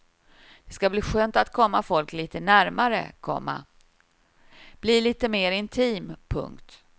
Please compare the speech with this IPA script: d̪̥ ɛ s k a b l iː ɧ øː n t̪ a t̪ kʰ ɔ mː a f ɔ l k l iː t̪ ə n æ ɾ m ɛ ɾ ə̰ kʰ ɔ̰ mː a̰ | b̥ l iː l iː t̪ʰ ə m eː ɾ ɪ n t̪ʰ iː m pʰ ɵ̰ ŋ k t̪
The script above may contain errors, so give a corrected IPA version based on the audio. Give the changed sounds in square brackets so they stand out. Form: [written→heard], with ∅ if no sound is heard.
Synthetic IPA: d̪̥ ɛ s k a b l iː ɧ øː n t̪ a t̪ kʰ ɔ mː a f ɔ l k l iː t̪ ə n æ ɾ m [ɛ→a] ɾ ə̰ kʰ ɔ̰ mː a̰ | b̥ l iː l iː [t̪ʰ→t̪] ə m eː ɾ ɪ n t̪ʰ iː m pʰ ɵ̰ ŋ k t̪